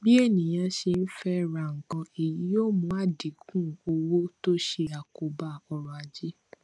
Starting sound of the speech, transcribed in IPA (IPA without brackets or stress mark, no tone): b